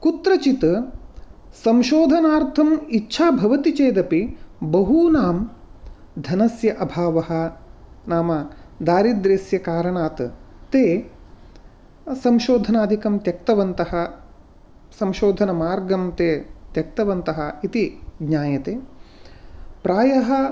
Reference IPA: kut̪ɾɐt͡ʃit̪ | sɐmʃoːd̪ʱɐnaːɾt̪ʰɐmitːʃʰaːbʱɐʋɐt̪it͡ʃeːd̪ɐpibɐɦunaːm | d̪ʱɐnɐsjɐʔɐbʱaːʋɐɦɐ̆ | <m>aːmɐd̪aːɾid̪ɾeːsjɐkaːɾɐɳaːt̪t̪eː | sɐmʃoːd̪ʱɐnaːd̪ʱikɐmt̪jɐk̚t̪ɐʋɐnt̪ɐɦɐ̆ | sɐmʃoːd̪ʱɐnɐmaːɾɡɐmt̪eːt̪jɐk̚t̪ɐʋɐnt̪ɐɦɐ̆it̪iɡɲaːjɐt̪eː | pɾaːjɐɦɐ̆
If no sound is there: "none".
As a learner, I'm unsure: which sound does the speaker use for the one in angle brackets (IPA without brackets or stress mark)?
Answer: n